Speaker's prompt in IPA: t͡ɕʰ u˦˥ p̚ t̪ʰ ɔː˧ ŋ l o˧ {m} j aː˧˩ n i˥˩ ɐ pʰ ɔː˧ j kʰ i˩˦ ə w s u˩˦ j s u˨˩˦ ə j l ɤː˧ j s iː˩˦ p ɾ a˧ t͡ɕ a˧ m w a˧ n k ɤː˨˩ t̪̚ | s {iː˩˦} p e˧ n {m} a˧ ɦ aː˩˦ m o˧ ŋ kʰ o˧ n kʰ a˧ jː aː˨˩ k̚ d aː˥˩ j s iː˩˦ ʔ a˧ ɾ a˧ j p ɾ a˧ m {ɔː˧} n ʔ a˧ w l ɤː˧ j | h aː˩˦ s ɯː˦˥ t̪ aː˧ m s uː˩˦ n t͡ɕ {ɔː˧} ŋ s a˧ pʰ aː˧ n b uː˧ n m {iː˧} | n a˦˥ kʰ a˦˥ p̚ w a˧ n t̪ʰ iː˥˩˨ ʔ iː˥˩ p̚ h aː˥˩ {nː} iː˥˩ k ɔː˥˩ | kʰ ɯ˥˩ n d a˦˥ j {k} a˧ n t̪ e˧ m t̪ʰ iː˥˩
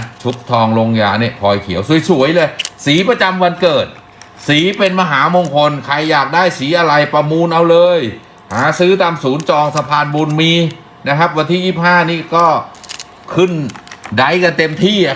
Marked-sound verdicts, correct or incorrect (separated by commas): incorrect, correct, correct, incorrect, correct, correct, incorrect, correct